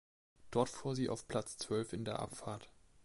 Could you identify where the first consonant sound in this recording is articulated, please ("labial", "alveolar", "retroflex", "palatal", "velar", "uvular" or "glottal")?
alveolar